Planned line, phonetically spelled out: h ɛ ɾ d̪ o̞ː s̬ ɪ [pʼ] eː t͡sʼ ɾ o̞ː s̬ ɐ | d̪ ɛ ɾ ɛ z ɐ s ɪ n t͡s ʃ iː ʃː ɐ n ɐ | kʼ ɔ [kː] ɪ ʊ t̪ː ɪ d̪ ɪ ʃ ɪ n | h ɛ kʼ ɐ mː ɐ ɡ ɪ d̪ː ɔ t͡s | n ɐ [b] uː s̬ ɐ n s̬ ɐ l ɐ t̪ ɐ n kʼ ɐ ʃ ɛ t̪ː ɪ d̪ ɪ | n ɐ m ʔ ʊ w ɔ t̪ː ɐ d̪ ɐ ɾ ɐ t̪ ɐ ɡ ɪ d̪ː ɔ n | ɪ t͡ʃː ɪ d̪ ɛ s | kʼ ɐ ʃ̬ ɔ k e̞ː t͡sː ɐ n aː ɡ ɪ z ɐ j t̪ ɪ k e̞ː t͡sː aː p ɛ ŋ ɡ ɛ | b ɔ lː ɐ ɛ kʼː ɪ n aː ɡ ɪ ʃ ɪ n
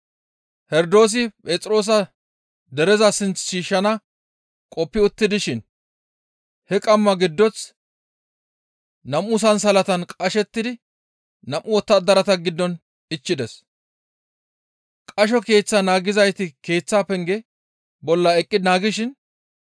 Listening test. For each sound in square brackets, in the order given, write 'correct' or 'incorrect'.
correct, incorrect, incorrect

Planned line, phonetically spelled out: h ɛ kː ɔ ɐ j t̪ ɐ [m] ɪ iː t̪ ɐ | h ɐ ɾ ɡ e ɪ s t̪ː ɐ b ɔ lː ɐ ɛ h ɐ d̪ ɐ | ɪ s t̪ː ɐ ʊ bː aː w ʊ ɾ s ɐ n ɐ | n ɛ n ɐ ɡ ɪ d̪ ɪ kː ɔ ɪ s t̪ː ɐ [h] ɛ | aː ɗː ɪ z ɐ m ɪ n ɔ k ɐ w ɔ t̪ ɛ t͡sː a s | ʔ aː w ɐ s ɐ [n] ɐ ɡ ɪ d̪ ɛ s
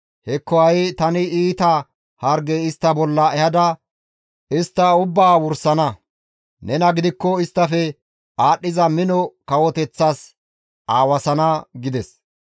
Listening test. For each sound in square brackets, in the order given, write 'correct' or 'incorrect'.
incorrect, incorrect, correct

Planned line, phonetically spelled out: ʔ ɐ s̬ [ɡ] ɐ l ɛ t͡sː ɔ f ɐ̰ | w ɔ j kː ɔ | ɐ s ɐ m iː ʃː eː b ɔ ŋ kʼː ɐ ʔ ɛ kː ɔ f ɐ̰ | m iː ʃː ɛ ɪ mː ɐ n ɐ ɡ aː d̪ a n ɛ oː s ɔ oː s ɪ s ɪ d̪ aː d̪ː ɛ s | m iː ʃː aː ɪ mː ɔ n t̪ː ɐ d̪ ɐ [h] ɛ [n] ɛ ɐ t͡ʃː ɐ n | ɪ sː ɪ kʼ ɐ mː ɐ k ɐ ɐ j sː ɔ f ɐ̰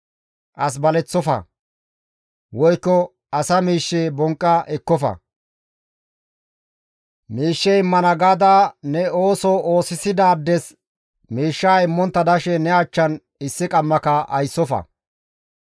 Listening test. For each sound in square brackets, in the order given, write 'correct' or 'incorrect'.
incorrect, incorrect, correct

